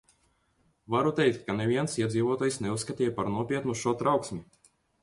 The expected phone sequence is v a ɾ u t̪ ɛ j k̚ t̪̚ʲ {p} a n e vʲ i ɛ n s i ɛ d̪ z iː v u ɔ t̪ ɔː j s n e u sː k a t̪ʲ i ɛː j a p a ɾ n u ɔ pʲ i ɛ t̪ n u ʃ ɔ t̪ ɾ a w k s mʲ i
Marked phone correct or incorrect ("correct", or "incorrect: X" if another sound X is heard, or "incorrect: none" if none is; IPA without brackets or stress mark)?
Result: incorrect: k